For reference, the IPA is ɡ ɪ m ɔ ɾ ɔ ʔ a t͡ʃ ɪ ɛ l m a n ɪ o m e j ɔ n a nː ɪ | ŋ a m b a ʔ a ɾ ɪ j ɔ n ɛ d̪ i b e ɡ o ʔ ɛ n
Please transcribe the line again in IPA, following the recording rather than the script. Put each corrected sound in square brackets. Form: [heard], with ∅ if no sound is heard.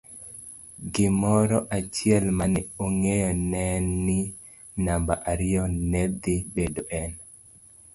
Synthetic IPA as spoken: ɡ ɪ m ɔ ɾ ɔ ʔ a t͡ʃ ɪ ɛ l m a n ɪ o [ŋ] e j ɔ n [ɛ] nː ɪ | [n] a m b a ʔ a ɾ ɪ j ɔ n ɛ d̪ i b e [d] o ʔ ɛ n